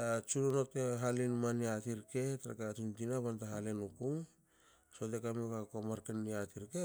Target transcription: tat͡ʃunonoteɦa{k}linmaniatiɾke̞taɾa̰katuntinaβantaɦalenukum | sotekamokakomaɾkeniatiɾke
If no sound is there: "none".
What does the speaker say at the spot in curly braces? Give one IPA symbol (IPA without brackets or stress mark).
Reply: none